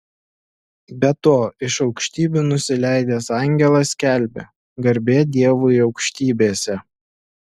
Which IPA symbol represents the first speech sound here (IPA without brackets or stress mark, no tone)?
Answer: bʲ